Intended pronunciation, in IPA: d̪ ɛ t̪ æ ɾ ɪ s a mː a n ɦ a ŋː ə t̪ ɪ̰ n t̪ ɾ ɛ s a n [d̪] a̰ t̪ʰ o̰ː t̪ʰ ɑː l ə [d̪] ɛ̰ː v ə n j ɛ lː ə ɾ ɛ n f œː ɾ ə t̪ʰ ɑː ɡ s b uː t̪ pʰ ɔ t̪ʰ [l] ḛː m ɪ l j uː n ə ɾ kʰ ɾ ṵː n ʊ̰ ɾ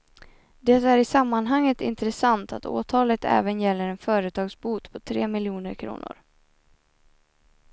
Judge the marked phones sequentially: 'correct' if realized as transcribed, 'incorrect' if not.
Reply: incorrect: t̪, incorrect: t̪, incorrect: ɾ

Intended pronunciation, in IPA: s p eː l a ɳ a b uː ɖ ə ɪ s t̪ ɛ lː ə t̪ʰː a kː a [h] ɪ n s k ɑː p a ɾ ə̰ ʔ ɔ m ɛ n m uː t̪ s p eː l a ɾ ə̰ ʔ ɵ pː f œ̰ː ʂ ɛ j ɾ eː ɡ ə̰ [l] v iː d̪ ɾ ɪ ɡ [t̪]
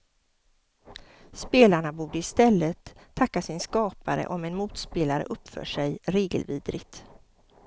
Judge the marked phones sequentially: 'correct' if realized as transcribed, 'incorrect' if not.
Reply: incorrect: s, correct, correct

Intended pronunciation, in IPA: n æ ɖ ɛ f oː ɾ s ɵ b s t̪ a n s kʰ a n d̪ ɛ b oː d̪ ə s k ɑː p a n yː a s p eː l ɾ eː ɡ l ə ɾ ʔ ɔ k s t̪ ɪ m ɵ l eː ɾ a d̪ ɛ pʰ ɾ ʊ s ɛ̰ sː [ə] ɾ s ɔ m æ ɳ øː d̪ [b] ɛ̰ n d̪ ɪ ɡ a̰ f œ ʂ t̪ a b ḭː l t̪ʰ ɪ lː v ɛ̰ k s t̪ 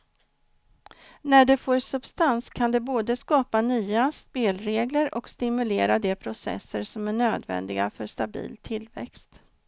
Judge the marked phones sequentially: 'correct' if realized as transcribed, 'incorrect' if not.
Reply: correct, incorrect: v

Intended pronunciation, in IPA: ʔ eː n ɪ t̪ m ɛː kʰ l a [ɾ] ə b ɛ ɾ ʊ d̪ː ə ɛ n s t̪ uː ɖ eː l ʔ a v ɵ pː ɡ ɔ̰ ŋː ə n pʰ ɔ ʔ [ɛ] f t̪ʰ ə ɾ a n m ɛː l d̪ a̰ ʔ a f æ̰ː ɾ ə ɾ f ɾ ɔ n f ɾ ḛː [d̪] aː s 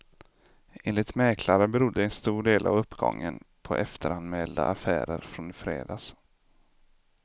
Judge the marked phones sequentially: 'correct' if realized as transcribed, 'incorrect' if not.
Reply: correct, correct, correct

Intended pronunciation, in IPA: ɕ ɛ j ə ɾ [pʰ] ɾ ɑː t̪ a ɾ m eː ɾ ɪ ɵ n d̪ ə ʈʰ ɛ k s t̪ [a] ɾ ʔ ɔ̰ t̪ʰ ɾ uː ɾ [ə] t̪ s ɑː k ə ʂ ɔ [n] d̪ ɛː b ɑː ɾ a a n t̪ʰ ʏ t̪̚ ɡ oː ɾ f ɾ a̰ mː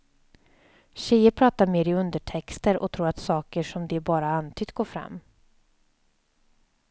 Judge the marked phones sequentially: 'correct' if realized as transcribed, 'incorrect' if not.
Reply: correct, incorrect: ə, incorrect: a, incorrect: m

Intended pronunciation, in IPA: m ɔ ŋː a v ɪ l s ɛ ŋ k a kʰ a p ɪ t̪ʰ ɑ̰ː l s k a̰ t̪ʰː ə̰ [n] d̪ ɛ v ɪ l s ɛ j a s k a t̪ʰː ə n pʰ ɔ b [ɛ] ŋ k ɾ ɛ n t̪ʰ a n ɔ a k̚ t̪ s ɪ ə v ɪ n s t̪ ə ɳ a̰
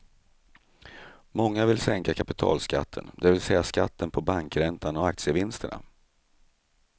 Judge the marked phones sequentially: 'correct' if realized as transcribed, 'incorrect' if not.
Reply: correct, incorrect: a

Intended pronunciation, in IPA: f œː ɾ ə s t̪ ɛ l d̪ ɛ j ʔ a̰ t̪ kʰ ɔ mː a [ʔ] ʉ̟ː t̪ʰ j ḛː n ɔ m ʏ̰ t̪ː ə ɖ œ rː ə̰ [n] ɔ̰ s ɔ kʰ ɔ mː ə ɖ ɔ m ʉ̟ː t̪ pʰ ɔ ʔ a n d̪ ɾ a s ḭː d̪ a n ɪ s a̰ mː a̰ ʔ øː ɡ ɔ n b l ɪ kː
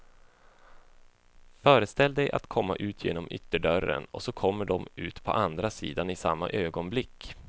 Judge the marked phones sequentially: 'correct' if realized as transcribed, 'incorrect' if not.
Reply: correct, correct

